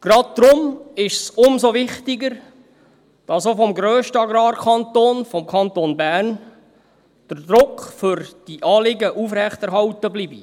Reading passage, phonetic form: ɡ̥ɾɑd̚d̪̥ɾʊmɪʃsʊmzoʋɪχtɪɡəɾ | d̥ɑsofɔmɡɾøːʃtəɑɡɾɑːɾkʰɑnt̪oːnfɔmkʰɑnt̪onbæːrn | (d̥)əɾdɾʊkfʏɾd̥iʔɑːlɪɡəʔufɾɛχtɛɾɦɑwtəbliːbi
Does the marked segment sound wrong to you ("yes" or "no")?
no